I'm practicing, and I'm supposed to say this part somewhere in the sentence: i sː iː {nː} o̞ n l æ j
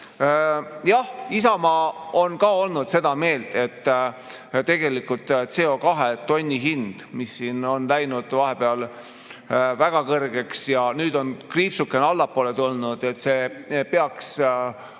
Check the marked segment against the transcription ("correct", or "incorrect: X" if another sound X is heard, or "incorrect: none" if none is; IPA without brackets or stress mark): incorrect: n